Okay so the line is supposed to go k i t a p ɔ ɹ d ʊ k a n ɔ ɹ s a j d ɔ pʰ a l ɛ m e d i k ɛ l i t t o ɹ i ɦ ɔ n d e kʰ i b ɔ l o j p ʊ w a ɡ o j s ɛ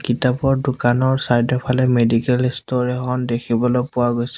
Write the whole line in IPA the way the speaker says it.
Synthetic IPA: k i t a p ɔ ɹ d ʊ k a n ɔ ɹ s a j d ɔ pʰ a l ɛ m e d i k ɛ l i s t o ɹ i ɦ ɔ n d e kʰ i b ɔ l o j p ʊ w a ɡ o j s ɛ